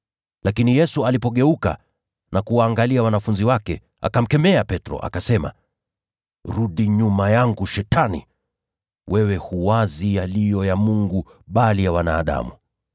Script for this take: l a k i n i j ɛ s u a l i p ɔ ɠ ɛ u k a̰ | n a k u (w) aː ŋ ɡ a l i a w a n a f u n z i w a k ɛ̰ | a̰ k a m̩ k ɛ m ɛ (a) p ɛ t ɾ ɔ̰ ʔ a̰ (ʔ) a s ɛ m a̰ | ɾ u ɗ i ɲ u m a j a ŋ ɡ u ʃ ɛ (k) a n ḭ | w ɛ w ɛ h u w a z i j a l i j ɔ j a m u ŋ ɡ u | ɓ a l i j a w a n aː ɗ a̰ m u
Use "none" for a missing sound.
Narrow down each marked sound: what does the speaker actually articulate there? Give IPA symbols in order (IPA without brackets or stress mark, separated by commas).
w, a, k, t